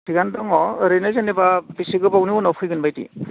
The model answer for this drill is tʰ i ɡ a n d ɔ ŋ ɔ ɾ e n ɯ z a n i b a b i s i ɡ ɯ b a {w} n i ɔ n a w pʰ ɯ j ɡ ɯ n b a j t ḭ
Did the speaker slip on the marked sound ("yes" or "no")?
no